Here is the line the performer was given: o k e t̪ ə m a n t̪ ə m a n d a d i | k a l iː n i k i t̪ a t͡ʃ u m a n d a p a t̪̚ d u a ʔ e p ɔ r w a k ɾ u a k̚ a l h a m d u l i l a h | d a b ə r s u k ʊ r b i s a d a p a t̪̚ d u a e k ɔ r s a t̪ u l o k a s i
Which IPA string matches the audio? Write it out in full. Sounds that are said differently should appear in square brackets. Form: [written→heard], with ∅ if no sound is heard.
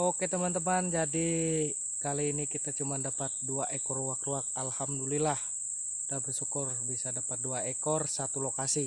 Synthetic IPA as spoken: o k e t̪ ə m a n t̪ ə m a n [d→d͡ʒ] a d i | k a l iː n i k i t̪ a t͡ʃ u m a n d a p a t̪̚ d u a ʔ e [p→k] ɔ r w a k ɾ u a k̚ a l h a m d u l i l a h | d a b ə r s u k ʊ r b i s a d a p a t̪̚ d u a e k ɔ r s a t̪ u l o k a s i